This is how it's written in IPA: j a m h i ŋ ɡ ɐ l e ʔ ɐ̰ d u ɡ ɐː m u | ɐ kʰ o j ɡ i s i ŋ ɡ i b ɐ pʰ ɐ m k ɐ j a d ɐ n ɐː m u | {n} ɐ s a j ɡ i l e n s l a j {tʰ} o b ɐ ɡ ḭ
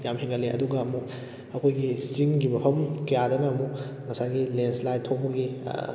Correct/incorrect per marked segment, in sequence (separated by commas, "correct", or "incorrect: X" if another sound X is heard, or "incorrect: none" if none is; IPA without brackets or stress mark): incorrect: ŋ, correct